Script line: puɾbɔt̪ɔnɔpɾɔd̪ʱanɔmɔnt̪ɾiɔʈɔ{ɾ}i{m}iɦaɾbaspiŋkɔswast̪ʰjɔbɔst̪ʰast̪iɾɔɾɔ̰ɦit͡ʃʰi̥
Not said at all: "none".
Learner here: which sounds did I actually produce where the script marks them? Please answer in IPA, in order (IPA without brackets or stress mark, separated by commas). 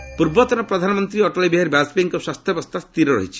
l, b